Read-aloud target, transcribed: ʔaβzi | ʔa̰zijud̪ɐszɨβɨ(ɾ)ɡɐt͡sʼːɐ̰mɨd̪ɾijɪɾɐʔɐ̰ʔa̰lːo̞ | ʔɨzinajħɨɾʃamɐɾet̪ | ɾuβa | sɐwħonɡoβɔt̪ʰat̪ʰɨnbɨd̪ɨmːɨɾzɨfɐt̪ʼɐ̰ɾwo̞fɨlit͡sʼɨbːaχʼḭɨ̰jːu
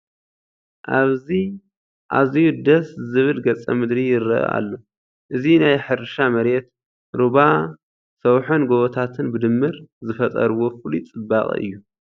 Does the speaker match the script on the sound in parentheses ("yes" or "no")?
no